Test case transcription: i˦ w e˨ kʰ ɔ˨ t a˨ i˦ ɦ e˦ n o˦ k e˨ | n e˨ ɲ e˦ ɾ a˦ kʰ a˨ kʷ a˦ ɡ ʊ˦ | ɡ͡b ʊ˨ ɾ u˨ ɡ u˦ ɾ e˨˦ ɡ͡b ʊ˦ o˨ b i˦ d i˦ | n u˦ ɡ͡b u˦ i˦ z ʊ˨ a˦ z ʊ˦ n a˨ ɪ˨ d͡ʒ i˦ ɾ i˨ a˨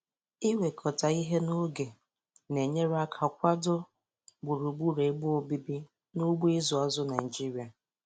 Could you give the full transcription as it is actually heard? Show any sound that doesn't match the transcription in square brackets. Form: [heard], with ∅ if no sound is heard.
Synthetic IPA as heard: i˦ w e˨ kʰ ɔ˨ t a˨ i˦ ɦ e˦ n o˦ [ɡ] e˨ | n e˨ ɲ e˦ ɾ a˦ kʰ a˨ kʷ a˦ [d] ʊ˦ | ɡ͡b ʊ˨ ɾ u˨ [ɡ͡b] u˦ ɾ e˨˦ ɡ͡b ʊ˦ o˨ b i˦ [b] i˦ | n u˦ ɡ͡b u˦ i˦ z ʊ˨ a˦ z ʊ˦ n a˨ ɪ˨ d͡ʒ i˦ ɾ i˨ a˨